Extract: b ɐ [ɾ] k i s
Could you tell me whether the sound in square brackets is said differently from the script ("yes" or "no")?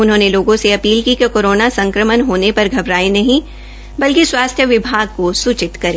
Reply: yes